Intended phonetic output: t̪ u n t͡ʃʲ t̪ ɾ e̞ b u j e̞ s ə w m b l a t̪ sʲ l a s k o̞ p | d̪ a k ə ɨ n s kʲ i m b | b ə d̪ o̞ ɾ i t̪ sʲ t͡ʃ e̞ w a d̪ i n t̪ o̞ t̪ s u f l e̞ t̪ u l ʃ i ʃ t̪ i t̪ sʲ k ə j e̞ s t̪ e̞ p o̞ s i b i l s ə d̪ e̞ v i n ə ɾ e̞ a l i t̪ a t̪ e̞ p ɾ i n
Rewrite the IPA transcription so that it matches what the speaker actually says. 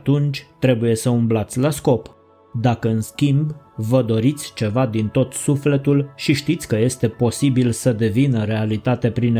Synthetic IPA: t̪ u n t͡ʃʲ t̪ ɾ e̞ b u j e̞ s ə u m b l a t̪ sʲ l a s k o̞ p | d̪ a k ə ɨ n s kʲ i m b | v ə d̪ o̞ ɾ i t̪ sʲ t͡ʃ e̞ v a d̪ i n t̪ o̞ t̪ s u f l e̞ t̪ u l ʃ i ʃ t̪ i t̪ sʲ k ə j e̞ s t̪ e̞ p o̞ s i b i l s ə d̪ e̞ v i n ə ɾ e̞ a l i t̪ a t̪ e̞ p ɾ i n